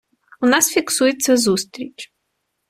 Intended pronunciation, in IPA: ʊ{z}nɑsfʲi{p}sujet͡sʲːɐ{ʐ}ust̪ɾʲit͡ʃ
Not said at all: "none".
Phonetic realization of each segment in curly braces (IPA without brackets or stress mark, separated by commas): none, k, z